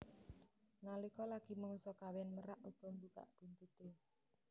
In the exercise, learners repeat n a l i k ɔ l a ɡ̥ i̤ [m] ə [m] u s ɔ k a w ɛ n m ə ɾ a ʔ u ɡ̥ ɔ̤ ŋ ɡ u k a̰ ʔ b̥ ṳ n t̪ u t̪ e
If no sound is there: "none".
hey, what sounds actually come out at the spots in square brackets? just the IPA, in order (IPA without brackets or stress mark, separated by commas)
m, ŋ